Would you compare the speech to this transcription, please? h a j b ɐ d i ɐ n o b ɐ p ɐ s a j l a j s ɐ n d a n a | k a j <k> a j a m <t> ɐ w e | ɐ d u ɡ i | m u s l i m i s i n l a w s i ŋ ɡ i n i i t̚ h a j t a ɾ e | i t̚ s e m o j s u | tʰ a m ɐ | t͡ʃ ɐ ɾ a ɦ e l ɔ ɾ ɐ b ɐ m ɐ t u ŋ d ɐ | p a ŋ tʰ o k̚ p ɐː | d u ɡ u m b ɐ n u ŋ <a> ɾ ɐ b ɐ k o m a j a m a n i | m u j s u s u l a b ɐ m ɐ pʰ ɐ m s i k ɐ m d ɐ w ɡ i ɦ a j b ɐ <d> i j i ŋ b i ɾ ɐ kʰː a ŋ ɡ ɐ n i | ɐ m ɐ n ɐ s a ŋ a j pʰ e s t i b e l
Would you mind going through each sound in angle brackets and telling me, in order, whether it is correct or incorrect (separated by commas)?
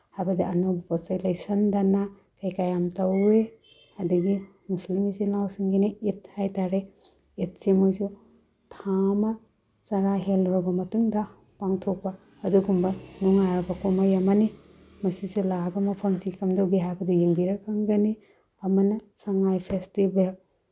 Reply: correct, correct, correct, correct